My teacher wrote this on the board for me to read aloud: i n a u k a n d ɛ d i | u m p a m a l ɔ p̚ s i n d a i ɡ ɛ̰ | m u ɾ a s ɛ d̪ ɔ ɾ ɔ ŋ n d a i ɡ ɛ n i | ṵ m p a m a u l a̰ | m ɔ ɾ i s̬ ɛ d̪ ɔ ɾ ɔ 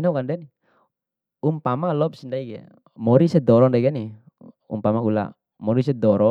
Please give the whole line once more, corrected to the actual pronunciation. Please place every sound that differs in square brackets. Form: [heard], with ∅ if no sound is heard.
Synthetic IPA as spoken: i n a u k a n d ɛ [n] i | u m p a m a l ɔ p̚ s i n d a i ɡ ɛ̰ | m [ɔ] ɾ [i] s ɛ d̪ ɔ ɾ ɔ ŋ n d a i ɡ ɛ n i | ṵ m p a m a u l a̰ | m ɔ ɾ i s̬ ɛ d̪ ɔ ɾ ɔ

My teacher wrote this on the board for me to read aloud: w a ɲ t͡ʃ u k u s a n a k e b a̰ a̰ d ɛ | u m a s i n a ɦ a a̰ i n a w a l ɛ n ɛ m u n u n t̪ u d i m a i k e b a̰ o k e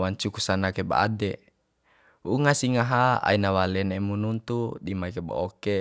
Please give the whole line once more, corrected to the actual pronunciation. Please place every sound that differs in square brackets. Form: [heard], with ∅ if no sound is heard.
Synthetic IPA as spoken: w a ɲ t͡ʃ u k u s a n a k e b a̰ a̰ d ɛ | u [ŋ] a s i [ŋ] a ɦ a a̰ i n a w a l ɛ n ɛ m u n u n t̪ u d i m a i k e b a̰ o k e

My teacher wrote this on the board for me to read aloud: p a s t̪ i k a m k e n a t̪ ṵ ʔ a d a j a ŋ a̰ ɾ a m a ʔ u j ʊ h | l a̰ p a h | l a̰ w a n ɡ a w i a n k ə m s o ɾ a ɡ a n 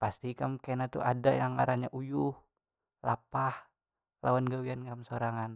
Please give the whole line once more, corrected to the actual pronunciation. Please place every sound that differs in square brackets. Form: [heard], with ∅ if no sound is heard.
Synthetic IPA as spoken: p a s t̪ i k a m k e n a t̪ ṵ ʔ a d a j a ŋ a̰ ɾ a [ɲ] a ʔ u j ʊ h | l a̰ p a h | l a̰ w a n ɡ a w i a n k [a] m s o ɾ a [ŋ] a n

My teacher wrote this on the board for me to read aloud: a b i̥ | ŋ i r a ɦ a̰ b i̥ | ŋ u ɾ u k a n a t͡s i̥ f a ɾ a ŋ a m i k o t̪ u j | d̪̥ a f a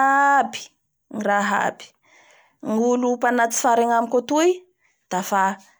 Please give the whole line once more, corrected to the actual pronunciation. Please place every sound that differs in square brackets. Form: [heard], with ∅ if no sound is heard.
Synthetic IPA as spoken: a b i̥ | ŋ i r a ɦ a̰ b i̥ | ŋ u [l] u [p] a n a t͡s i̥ f a ɾ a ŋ a m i k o t̪ u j | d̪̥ a f a

